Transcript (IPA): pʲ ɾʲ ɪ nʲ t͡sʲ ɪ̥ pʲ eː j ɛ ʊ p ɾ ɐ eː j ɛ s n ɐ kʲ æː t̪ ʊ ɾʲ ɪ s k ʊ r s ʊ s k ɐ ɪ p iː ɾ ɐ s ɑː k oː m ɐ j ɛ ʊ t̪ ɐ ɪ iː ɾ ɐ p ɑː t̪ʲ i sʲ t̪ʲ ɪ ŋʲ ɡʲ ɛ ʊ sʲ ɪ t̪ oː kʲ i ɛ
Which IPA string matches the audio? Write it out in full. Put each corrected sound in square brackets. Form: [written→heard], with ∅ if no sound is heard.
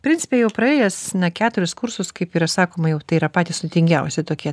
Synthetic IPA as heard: pʲ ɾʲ ɪ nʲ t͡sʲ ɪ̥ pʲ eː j ɛ ʊ p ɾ ɐ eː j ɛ s n ɐ kʲ æː t̪ ʊ ɾʲ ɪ s k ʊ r s ʊ s k ɐ ɪ p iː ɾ ɐ s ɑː k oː m ɐ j ɛ ʊ t̪ ɐ ɪ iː ɾ ɐ p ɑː t̪ʲ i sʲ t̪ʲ ɪ ŋʲ ɡʲ ɛ ʊ sʲ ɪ t̪ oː kʲ i ɛ